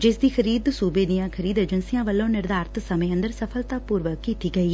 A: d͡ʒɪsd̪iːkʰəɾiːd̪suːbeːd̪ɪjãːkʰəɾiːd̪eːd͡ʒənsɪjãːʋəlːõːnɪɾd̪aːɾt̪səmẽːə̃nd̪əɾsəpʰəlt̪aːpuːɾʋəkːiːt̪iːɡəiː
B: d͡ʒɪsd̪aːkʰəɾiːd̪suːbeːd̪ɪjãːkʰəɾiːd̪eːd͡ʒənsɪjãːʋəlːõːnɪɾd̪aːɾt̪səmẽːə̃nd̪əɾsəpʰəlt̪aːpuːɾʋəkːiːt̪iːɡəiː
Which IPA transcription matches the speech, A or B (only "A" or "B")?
A